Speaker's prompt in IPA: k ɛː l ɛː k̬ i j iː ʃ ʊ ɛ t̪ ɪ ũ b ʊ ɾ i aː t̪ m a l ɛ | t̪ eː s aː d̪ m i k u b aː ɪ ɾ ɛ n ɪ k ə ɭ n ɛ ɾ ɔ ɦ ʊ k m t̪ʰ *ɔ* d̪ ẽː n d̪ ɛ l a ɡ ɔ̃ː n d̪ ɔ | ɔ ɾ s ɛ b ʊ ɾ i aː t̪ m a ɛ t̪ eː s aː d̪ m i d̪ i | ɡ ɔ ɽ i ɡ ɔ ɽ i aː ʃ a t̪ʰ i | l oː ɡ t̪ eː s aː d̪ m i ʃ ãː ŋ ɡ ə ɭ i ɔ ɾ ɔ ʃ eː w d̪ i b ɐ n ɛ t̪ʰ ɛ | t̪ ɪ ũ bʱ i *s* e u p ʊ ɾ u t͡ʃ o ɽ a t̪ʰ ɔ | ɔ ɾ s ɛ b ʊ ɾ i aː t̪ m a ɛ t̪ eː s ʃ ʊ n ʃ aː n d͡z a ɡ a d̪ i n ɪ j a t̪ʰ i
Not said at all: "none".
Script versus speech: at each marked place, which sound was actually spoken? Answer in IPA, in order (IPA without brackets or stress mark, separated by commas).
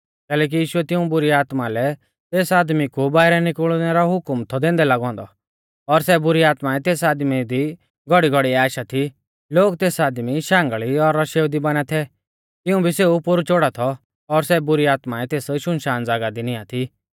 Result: ɔ, s